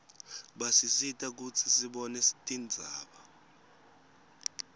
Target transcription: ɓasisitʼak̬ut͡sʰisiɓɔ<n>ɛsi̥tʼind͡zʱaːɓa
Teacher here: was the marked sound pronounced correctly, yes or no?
yes